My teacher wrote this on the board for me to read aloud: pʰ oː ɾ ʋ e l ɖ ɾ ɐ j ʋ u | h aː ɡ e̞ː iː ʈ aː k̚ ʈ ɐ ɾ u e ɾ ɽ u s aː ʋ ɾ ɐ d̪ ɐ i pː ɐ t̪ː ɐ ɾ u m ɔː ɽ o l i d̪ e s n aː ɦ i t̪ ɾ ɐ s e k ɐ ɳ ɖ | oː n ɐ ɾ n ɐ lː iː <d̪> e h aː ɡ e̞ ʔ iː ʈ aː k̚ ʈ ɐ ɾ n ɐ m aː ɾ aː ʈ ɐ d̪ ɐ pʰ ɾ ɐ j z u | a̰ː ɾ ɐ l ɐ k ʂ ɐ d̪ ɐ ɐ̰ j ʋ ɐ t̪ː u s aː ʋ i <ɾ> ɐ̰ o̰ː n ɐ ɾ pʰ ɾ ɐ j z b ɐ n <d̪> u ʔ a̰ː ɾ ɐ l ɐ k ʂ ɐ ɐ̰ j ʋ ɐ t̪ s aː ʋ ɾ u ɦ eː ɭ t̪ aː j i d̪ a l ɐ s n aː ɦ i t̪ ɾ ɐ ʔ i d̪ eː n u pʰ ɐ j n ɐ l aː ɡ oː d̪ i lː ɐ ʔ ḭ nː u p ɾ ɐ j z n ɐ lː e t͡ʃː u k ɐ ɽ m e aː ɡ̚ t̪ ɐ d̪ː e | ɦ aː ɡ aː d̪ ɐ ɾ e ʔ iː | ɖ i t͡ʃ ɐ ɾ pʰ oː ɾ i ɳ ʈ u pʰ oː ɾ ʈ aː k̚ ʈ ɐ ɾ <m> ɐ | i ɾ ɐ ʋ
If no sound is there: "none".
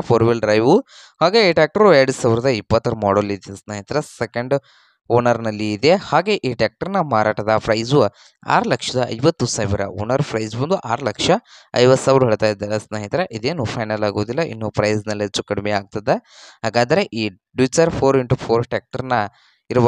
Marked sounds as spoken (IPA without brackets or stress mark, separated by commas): d̪, ɾ, d̪, n